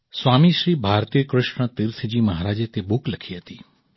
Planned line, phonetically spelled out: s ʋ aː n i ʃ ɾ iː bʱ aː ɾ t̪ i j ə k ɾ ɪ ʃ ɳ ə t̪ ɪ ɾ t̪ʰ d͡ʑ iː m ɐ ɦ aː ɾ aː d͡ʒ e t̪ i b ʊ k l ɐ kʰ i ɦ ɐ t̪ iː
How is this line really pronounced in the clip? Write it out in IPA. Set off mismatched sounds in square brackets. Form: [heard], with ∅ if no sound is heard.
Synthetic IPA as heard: s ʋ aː [m] i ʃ ɾ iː bʱ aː ɾ t̪ i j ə k ɾ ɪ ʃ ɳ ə t̪ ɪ ɾ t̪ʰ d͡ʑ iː m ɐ ɦ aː ɾ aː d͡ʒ e t̪ [e] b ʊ k l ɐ kʰ i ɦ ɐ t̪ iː